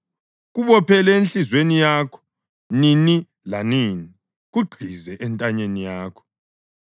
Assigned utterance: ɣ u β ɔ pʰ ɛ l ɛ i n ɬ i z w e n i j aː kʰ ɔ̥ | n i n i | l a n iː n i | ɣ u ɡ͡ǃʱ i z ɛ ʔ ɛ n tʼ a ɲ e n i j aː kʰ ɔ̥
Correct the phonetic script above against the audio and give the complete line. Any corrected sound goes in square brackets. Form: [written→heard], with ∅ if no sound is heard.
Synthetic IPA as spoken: ɣ u β ɔ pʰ ɛ l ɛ [i→e] n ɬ i z w e n i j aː kʰ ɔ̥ | n i n i | l a n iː n i | ɣ u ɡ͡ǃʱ i z ɛ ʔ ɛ n tʼ a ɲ e n i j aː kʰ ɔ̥